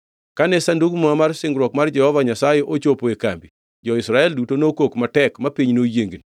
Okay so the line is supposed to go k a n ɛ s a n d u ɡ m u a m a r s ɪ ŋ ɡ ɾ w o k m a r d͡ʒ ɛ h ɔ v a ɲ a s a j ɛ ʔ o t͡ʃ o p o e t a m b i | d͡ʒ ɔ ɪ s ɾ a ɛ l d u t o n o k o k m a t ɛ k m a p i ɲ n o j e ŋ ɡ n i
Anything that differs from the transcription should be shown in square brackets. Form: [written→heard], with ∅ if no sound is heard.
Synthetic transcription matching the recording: k a n ɛ s a n d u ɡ m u a m a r s ɪ ŋ ɡ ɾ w [o→ɔ] k m a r d͡ʒ ɛ h ɔ v a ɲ a s a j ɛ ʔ o t͡ʃ o p o e [t→k] a m b i | d͡ʒ ɔ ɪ s ɾ a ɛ l d u t o n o k o k m a t ɛ k m a p i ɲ n o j e ŋ ɡ n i